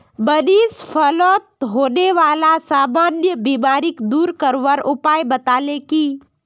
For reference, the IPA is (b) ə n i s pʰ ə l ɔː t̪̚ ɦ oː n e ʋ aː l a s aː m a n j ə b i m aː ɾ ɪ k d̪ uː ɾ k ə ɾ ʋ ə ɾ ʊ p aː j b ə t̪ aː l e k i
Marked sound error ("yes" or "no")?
no